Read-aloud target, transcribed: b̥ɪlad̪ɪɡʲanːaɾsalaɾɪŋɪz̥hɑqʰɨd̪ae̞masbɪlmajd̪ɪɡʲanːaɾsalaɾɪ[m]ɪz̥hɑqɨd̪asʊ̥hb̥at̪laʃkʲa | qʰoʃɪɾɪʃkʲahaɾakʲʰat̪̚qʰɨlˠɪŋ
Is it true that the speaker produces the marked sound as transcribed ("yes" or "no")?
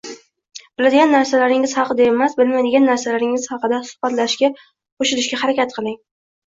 no